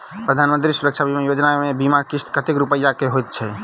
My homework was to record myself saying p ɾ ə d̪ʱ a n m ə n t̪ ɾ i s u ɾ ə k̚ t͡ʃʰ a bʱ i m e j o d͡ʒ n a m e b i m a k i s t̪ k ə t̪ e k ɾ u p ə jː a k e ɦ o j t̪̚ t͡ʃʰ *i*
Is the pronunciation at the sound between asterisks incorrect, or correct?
incorrect